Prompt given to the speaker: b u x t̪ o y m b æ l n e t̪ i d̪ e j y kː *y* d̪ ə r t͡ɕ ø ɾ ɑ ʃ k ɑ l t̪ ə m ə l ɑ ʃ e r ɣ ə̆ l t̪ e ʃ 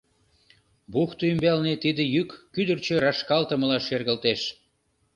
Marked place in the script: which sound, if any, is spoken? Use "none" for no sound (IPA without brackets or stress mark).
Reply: y